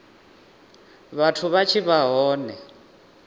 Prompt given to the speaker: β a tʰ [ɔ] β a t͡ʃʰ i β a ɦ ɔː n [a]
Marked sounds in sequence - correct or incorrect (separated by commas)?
incorrect, incorrect